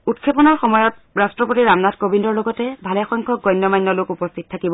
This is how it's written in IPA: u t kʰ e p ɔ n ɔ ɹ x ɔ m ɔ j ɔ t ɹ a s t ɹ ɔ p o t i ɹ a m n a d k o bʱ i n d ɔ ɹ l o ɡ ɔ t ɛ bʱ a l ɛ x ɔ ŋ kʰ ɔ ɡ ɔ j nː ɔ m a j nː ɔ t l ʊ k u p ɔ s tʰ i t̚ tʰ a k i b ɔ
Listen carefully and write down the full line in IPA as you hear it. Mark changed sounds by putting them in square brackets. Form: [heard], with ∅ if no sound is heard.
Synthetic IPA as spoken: u t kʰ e p ɔ n ɔ ɹ x ɔ m ɔ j ɔ t ɹ a s t ɹ ɔ p o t i ɹ a m n a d k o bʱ i n d ɔ ɹ l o ɡ ɔ t ɛ bʱ a l ɛ x ɔ ŋ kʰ ɔ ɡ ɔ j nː ɔ m a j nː ɔ [∅] l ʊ k u p ɔ s tʰ i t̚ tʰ a k i b ɔ

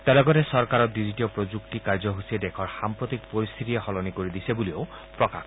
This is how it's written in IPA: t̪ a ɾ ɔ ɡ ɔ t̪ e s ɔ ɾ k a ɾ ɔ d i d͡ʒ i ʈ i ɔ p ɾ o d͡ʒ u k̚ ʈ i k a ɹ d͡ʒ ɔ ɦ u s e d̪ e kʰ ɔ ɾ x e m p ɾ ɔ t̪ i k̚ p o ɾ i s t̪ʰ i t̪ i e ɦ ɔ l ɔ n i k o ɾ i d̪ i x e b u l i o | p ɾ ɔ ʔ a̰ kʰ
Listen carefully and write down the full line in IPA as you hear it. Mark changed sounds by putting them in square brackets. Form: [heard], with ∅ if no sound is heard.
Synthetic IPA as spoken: t̪ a [l] ɔ ɡ ɔ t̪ e s ɔ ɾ k a ɾ ɔ d i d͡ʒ i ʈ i ɔ p ɾ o d͡ʒ u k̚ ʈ i k a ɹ d͡ʒ ɔ ɦ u s e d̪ e kʰ ɔ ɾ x [a] m p ɾ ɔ t̪ i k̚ p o ɾ i s t̪ʰ i t̪ i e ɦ ɔ l ɔ n i k o ɾ i d̪ i [s] e b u l i o | p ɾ ɔ [k] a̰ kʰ

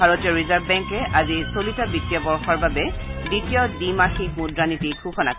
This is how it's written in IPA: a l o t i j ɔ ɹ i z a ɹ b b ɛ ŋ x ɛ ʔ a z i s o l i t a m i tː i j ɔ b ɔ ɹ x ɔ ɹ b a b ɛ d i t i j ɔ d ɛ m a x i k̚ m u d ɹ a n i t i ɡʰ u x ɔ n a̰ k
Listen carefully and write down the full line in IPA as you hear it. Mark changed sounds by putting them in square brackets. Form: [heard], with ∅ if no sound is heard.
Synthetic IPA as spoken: a [ɹ] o t i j ɔ ɹ i z a ɹ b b ɛ ŋ [k] ɛ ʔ a z i s o l i t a [b] i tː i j ɔ b ɔ ɹ x ɔ ɹ b a b ɛ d i t i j ɔ d [i] m a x i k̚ m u d ɹ a n i t i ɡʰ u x ɔ n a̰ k

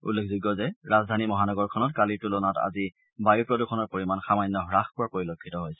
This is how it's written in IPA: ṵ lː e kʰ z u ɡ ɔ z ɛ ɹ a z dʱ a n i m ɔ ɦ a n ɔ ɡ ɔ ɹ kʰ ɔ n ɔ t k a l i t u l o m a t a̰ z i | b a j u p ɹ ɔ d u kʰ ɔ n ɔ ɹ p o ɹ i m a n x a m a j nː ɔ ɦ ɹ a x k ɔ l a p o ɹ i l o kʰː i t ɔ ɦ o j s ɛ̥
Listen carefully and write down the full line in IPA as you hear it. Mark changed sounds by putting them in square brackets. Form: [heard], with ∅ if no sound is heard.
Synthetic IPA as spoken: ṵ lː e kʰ z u ɡ ɔ z ɛ ɹ a z dʱ a n i m ɔ ɦ a n ɔ ɡ ɔ ɹ kʰ ɔ n ɔ t k a l i t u l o [n] a t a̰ z i | b a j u p ɹ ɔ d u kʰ ɔ n ɔ ɹ p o ɹ i m a n x a m a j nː ɔ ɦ ɹ a x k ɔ [ɹ] a p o ɹ i l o kʰː i t ɔ ɦ o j s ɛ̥

